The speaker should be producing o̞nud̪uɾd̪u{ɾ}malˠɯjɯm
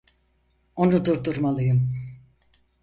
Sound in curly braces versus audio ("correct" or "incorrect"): correct